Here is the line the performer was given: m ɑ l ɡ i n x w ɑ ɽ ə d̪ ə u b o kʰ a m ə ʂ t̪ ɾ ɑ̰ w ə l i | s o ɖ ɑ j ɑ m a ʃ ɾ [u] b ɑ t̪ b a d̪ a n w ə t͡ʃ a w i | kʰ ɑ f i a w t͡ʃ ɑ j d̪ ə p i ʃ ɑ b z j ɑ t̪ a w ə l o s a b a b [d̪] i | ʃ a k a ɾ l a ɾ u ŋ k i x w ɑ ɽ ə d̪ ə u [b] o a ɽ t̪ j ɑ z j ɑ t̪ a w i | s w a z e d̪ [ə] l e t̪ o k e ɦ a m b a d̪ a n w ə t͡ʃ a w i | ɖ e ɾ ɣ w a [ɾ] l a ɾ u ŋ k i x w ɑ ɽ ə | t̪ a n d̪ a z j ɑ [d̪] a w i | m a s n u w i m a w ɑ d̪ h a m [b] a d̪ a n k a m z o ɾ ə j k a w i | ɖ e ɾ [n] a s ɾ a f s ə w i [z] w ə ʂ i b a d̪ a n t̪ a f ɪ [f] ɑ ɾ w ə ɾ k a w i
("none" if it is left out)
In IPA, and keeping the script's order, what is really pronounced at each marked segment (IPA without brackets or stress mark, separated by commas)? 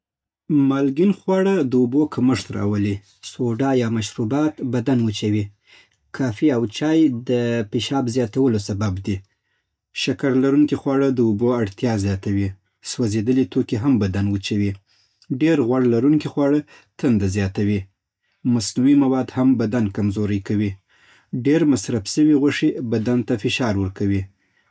u, d̪, b, ə, ɽ, t̪, b, m, ɣ, ʃ